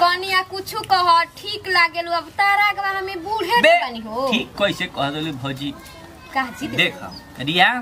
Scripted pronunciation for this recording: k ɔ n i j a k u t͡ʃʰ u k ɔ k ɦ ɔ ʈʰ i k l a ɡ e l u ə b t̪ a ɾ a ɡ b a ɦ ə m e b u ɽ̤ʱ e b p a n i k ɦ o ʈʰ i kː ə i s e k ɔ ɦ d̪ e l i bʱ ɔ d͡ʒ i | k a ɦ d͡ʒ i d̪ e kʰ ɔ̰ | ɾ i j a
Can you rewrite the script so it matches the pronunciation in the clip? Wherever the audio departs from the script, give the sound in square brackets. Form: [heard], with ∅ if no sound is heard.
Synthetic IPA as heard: k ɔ n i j a k u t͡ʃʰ u k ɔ [∅] ɦ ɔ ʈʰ i k l a ɡ e l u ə b t̪ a ɾ a ɡ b a ɦ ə m e b u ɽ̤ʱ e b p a n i [∅] ɦ o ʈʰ i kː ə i s e k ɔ ɦ d̪ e l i bʱ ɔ d͡ʒ i | k a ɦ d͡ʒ i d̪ e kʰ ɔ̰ | ɾ i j a

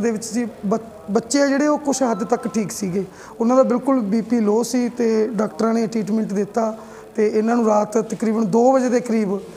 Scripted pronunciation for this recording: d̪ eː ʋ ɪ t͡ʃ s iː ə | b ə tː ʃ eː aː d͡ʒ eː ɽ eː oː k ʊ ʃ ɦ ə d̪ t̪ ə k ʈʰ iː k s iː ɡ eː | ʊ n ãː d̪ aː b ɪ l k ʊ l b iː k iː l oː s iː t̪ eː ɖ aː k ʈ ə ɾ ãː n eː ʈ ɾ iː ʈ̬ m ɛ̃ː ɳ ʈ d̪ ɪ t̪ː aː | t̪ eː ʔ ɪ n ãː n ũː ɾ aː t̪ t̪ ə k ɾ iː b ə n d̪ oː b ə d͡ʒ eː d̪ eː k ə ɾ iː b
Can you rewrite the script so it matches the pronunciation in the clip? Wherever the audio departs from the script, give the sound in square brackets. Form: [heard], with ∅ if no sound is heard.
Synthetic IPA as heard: d̪ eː ʋ ɪ t͡ʃ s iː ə | b ə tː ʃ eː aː d͡ʒ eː ɽ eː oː k ʊ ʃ ɦ ə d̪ t̪ ə k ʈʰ iː k s iː ɡ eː | ʊ n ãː d̪ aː b ɪ l k ʊ l b iː [p] iː l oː s iː t̪ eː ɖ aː k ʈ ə ɾ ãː n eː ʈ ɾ iː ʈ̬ m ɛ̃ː ɳ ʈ d̪ ɪ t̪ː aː | t̪ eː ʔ ɪ n ãː n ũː ɾ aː t̪ t̪ ə k ɾ iː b ə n d̪ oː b ə d͡ʒ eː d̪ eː k ə ɾ iː b

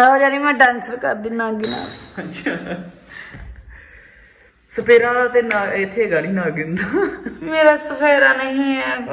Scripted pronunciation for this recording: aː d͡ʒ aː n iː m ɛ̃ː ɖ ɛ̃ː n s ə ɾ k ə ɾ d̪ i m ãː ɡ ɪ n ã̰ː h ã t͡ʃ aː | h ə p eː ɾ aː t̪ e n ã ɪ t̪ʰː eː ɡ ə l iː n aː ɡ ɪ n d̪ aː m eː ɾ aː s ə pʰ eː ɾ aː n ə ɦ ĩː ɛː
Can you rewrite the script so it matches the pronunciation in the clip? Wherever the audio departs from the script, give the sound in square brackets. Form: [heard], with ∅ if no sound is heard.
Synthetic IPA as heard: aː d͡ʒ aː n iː m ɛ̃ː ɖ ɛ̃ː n s ə ɾ k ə ɾ d̪ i [n] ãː ɡ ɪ n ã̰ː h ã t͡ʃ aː | [s] ə p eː ɾ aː t̪ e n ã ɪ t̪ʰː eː ɡ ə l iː n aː ɡ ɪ n d̪ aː m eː ɾ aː s ə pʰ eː ɾ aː n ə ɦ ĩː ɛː

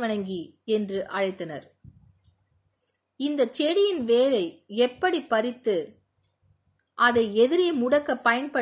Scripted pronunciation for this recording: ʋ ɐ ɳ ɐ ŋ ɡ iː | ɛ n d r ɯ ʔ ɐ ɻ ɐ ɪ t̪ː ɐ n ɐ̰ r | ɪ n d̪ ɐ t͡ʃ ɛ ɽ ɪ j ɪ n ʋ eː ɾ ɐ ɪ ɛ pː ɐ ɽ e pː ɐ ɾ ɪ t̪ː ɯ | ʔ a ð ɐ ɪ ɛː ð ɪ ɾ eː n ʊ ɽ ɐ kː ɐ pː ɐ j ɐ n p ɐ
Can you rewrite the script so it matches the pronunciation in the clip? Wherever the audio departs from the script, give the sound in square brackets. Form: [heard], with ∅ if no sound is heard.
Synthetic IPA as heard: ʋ ɐ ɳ ɐ ŋ ɡ [i] | ɛ n d r ɯ ʔ ɐ ɻ ɐ ɪ t̪ː ɐ n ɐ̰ [ɾ] | ɪ n d̪ ɐ t͡ʃ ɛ ɽ ɪ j ɪ n ʋ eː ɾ ɐ ɪ ɛ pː ɐ ɽ [i] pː ɐ ɾ ɪ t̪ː ɯ | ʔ [ɐ] ð ɐ ɪ [ɛ] ð ɪ ɾ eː [m] ʊ ɽ ɐ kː ɐ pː ɐ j ɐ n p ɐ

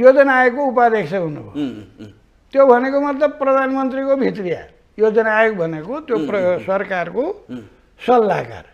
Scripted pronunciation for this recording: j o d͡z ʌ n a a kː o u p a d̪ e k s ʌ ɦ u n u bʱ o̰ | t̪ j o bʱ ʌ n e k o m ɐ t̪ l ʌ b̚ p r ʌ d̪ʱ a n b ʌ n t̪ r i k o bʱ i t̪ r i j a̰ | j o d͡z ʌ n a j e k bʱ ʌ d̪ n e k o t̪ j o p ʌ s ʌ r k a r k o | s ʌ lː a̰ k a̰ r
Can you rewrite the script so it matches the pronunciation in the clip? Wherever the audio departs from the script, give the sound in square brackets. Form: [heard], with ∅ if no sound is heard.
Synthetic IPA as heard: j o d͡z ʌ n a [e] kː o u p a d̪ e k s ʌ ɦ u n u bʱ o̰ | t̪ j o bʱ ʌ n e k o m [ʌ] t̪ l ʌ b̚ p r ʌ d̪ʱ a n [m] ʌ n t̪ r i k o bʱ i t̪ r i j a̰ | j o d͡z ʌ n a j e k bʱ ʌ [∅] n e k o t̪ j o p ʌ s ʌ r k a r k o | s ʌ lː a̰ k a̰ r

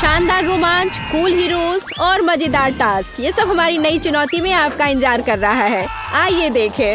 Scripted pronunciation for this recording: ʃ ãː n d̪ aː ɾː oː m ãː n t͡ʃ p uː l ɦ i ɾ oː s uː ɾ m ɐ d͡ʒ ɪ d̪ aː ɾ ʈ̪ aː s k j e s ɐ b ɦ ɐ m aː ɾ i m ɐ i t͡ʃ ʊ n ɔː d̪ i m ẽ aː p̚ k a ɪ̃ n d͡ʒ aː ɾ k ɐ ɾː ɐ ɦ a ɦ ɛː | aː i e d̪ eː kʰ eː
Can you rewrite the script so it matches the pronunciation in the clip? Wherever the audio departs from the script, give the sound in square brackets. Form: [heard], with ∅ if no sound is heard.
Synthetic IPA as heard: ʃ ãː n d̪ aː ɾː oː m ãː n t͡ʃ [k] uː l ɦ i ɾ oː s [ɔː] ɾ m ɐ d͡ʒ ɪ d̪ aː ɾ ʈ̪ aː s k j e s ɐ b ɦ ɐ m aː ɾ i [n] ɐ i t͡ʃ ʊ n ɔː [t̪] i m ẽ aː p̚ k a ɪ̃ n d͡ʒ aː ɾ k ɐ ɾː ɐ ɦ a ɦ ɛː | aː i e d̪ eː kʰ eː

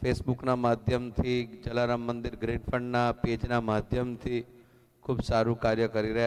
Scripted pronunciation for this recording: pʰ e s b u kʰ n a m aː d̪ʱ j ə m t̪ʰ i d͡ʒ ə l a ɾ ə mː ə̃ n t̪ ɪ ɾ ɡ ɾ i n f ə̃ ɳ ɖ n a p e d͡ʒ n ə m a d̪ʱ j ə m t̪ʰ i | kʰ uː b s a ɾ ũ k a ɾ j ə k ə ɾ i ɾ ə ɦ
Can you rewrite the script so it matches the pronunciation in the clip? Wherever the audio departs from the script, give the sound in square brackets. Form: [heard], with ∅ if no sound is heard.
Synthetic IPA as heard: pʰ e s b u [k] n a m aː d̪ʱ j ə m t̪ʰ i d͡ʒ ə l a ɾ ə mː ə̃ n [d̪] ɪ ɾ ɡ ɾ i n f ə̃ ɳ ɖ n a p e d͡ʒ n [a] m a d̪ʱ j ə m t̪ʰ i | kʰ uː b s a ɾ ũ k a ɾ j ə k ə ɾ i ɾ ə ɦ

